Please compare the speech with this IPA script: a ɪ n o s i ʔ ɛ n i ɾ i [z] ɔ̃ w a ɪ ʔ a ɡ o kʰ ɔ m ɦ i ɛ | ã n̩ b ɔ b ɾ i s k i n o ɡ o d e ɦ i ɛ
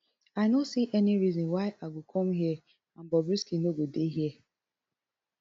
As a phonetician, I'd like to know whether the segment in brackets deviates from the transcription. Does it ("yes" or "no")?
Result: no